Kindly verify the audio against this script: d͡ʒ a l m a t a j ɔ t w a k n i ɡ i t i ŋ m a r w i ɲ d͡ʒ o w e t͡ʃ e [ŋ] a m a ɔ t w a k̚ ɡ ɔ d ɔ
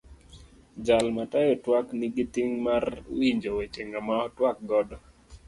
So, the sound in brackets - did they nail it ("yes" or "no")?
yes